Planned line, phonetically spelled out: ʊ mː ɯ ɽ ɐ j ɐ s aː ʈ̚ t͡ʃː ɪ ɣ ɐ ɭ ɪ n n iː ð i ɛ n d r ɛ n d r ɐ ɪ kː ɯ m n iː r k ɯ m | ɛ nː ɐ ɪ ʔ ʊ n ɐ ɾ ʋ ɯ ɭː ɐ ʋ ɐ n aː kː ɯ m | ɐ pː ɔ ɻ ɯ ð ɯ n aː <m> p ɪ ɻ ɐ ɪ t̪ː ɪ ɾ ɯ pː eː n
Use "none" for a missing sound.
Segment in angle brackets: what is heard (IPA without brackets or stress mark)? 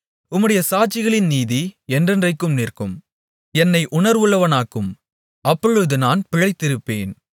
n